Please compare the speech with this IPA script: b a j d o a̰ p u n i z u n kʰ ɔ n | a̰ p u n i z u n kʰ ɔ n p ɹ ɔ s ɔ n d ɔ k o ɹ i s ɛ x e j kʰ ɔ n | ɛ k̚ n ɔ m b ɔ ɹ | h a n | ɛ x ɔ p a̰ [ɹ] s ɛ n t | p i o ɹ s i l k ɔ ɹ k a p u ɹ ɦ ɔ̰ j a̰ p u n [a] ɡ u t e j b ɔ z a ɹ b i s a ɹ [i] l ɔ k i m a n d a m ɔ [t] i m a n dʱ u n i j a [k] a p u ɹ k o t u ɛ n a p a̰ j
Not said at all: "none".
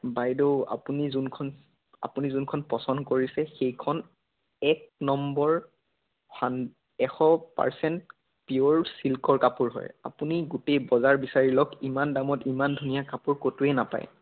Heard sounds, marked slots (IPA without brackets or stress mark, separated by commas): ɹ, i, i, t, k